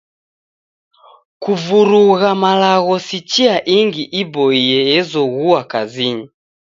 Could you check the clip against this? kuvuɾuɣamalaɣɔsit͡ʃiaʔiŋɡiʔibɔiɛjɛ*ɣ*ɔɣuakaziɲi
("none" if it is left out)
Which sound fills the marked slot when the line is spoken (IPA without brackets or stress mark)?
z